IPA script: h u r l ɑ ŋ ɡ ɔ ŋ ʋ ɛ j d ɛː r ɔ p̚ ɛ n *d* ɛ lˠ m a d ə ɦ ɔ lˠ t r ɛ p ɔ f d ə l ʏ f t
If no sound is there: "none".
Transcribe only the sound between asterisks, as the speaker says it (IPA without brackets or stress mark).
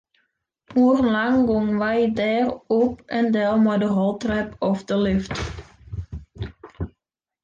d